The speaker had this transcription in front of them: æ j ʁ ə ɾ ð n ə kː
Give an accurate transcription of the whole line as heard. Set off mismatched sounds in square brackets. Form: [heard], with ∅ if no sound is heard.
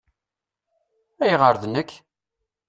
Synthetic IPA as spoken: æ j ʁ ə ɾ ð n ə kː